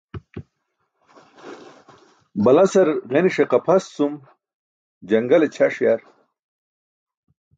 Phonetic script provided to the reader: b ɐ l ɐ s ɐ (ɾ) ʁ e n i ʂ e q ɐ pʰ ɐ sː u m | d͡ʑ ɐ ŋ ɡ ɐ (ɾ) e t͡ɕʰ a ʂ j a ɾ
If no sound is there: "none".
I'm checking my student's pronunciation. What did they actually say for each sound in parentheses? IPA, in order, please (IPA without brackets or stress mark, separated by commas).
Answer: ɾ, l